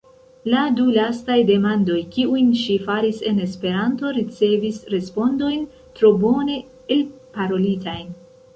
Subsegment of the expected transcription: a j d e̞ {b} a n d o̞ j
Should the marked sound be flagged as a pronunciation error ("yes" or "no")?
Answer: yes